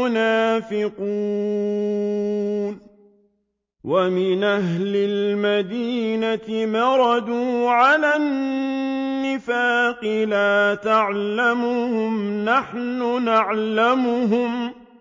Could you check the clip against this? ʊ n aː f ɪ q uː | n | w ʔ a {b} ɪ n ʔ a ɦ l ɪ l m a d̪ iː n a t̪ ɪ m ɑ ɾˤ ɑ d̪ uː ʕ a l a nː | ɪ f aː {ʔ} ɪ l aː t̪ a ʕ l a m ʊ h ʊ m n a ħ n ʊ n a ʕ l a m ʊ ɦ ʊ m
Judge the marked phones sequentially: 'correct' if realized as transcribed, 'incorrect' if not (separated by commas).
incorrect, incorrect